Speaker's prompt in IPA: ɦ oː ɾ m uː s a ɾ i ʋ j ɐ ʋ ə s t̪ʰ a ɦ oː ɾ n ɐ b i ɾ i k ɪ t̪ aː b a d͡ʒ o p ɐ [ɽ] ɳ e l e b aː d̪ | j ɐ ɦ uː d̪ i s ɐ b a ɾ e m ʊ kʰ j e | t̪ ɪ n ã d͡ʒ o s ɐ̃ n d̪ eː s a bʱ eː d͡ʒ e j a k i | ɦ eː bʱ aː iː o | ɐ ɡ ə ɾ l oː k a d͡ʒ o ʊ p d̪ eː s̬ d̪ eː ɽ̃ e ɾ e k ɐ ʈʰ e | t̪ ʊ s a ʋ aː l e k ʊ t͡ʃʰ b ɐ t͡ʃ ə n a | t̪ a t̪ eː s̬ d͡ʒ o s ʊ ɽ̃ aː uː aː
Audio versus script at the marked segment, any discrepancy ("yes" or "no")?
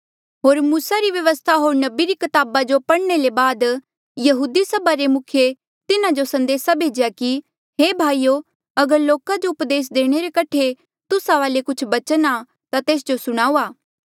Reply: no